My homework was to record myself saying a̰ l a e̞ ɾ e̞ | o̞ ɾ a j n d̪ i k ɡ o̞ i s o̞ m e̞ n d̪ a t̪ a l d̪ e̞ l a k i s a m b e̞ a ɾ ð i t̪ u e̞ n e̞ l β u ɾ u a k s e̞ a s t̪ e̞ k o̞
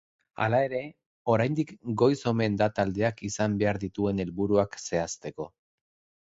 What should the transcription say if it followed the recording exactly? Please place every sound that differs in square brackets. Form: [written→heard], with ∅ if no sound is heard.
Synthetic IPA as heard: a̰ l a e̞ ɾ e̞ | o̞ ɾ a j n d̪ i k ɡ o̞ [i→j] s o̞ m e̞ n d̪ a t̪ a l d̪ e̞ [l→∅] a k i s a m b e̞ a ɾ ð i t̪ u e̞ n e̞ l β u ɾ u a k s e̞ a s t̪ e̞ k o̞